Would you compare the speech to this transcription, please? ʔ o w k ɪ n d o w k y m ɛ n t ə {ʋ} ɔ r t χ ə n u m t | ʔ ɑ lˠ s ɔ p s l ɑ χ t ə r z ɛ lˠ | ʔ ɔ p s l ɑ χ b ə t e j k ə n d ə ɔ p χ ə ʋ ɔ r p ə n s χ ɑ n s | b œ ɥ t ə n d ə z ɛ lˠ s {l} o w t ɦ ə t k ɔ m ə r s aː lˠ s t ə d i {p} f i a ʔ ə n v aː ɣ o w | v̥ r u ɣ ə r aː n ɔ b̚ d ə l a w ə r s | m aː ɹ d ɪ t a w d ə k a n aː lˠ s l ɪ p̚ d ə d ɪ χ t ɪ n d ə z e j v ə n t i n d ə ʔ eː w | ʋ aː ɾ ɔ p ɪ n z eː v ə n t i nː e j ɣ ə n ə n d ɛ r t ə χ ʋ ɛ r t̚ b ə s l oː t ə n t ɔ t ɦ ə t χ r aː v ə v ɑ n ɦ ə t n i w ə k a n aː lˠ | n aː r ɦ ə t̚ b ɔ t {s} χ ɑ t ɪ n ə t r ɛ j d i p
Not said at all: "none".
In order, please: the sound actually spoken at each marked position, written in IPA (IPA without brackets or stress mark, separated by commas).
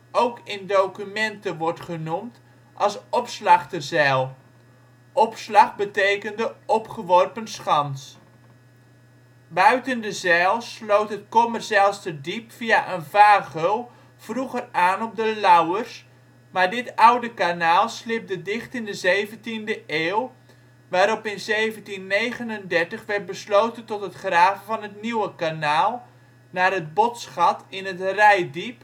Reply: ʋ, l, p, s